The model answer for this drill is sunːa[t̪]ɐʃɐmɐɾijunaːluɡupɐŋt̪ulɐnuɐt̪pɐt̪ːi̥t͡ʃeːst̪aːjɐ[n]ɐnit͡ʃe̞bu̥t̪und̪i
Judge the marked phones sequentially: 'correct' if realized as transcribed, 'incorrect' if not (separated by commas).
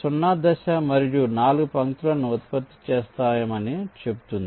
incorrect, incorrect